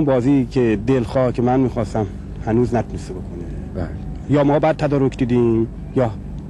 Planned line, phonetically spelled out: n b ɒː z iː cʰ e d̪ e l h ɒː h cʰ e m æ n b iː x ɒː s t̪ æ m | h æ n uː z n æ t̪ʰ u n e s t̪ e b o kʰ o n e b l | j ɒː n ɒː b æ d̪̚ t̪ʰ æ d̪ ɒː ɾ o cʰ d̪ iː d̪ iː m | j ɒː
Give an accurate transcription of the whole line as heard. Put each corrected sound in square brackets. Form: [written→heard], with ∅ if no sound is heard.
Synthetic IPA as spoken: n b ɒː z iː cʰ e d̪ e l [h→x] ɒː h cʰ e m æ n [b→m] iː x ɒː s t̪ æ m | h æ n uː z n æ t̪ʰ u n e s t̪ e b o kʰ o n e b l | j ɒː [n→m] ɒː b æ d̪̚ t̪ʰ æ d̪ ɒː ɾ o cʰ d̪ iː d̪ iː m | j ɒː